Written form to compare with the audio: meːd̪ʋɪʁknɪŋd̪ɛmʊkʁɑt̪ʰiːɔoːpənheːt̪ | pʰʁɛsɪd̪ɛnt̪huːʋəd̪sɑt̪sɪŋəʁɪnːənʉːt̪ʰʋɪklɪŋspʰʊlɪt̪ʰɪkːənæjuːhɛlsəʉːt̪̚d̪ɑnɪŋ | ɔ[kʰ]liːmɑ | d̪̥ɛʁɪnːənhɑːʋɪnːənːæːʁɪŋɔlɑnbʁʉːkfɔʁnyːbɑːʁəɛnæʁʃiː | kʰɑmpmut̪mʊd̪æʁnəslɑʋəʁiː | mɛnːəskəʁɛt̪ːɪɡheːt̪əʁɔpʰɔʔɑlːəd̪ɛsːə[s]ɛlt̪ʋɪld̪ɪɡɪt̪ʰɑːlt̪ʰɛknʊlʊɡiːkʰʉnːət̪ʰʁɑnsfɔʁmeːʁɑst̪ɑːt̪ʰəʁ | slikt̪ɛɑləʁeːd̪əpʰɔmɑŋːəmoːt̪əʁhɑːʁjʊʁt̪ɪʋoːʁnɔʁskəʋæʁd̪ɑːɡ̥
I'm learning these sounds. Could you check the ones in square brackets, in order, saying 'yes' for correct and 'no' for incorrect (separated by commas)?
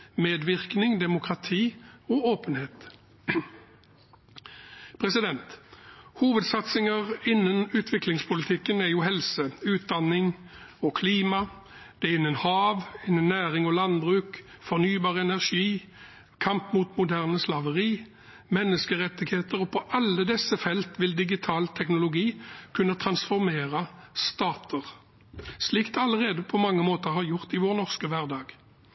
yes, no